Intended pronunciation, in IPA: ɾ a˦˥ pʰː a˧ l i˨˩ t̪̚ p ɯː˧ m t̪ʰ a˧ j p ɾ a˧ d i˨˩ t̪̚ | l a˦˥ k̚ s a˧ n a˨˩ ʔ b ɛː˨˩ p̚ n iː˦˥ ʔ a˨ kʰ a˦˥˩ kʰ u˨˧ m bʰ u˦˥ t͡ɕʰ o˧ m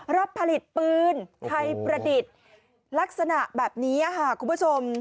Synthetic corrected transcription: ɾ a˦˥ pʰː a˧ l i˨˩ t̪̚ p ɯː˧ n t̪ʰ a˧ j p ɾ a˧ d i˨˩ t̪̚ | l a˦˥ k̚ s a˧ n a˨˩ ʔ b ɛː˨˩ p̚ n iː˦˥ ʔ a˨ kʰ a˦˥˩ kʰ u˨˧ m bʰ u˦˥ t͡ɕʰ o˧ m

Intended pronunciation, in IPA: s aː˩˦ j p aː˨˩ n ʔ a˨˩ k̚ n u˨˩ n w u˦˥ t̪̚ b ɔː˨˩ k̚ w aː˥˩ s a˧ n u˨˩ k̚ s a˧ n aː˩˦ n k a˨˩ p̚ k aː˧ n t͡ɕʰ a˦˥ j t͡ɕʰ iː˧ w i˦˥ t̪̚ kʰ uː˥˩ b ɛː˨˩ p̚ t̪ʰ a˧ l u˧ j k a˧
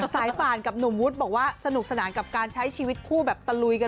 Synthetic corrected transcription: s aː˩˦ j p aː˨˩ n k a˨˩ p̚ n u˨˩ m w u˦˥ t̪̚ b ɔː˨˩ k̚ w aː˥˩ s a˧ n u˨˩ k̚ s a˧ n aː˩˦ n k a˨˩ p̚ k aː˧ n t͡ɕʰ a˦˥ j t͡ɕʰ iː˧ w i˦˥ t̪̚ kʰ uː˥˩ b ɛː˨˩ p̚ t̪ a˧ l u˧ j k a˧

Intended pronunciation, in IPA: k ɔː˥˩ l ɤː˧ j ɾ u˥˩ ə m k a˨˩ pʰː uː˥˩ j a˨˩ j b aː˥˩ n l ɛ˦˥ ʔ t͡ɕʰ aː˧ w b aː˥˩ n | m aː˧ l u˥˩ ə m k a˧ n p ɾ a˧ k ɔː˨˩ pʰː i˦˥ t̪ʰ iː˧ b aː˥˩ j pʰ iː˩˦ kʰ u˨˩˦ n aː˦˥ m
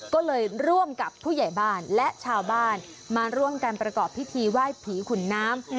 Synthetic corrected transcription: k ɔː˥˩ l ɤː˧ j ɾ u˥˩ ə m k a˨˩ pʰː uː˥˩ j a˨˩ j b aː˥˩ n l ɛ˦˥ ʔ t͡ɕʰ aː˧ w b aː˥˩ n | m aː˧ ɾ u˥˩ ə m k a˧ n p ɾ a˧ k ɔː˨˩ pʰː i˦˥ t̪ʰ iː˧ w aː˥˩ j pʰ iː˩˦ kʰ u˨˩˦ nː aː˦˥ m

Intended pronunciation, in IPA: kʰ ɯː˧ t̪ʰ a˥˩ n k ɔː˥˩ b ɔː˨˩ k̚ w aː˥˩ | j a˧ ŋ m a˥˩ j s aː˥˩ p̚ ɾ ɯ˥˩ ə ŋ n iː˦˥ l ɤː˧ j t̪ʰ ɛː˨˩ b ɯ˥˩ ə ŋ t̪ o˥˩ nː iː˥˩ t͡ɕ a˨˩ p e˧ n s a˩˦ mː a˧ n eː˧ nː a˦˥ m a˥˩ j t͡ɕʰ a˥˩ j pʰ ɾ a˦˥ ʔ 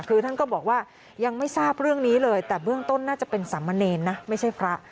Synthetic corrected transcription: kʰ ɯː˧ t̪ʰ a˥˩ n k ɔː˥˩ b ɔː˨˩ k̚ w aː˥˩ | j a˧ ŋ m a˥˩ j s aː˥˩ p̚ ɾ ɯ˥˩ ə ŋ n iː˦˥ l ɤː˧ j t̪ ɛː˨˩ b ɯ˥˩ ə ŋ t̪ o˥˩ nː aː˥˩ t͡ɕ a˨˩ p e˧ n s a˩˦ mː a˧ n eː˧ nː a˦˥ m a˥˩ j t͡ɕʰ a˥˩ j pʰ ɾ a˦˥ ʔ

